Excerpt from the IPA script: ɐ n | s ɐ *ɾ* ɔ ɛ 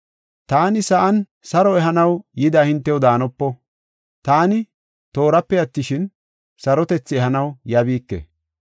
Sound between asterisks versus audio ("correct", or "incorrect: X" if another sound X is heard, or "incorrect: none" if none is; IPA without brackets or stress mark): correct